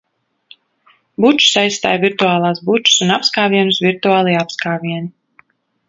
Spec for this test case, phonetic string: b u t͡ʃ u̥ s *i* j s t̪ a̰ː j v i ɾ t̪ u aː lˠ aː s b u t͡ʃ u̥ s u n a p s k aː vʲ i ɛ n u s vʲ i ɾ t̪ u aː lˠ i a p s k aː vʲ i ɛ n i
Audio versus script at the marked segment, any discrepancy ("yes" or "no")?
yes